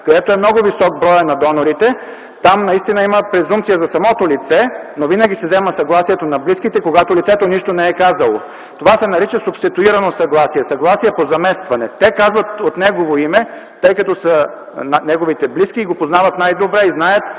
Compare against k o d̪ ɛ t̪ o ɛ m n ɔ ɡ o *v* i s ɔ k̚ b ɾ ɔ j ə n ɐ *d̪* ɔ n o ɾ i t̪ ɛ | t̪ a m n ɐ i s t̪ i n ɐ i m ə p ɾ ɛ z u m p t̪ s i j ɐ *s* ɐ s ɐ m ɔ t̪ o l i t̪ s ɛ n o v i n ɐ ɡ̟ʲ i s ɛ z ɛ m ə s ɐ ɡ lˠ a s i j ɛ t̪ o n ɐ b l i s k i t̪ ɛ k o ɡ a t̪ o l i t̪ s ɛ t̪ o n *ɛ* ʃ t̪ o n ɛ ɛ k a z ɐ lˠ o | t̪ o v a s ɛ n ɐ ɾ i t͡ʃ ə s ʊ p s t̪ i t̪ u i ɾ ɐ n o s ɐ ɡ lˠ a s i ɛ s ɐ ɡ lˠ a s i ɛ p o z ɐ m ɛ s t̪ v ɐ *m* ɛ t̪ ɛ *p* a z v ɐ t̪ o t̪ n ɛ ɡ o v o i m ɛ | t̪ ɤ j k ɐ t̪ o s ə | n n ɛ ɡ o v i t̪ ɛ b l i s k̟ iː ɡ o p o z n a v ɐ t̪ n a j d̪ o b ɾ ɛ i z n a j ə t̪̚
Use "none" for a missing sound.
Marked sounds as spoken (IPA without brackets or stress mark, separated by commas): v, d̪, z, i, n, k